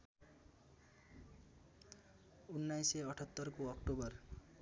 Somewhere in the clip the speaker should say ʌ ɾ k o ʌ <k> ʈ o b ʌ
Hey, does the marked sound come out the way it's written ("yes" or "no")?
yes